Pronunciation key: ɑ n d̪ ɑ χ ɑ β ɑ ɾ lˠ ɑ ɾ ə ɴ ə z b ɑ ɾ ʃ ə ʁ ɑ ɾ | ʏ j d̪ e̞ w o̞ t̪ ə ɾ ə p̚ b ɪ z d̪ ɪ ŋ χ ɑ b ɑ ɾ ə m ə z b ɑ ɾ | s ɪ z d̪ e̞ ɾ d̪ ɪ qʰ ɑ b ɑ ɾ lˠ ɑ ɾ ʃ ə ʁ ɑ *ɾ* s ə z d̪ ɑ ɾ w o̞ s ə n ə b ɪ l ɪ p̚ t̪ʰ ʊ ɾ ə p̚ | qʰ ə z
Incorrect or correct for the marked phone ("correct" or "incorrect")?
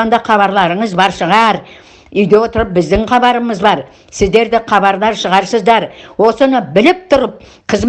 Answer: correct